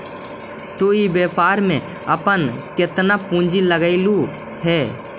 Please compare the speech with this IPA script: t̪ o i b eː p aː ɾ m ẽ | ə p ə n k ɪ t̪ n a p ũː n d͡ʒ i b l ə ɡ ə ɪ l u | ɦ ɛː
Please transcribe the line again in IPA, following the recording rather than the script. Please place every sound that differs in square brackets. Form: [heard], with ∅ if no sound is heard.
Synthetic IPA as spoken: t̪ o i b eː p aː ɾ m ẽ | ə p ə n k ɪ t̪ n a p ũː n d͡ʒ i [∅] l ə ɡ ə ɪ l u | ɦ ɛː